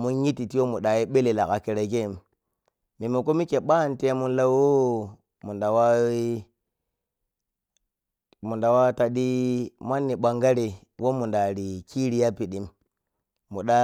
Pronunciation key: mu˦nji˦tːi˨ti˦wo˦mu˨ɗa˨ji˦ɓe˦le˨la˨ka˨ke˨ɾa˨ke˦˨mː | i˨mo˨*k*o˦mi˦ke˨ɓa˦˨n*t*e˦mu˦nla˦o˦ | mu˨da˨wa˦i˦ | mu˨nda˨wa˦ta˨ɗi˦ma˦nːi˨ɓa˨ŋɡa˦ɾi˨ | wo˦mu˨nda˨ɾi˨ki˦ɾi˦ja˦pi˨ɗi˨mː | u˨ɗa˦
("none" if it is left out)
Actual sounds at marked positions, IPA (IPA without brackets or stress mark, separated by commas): k, t